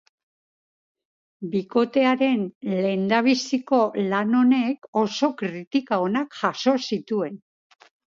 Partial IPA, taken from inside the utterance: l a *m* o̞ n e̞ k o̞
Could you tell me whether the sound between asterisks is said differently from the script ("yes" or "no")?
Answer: yes